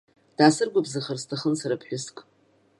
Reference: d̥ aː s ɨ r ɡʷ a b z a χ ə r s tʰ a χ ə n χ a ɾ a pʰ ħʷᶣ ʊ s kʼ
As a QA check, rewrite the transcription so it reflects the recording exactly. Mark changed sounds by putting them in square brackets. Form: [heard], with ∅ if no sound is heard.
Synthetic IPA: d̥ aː s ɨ r ɡʷ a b z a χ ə r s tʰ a χ ə n [s] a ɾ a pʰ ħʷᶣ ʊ s kʼ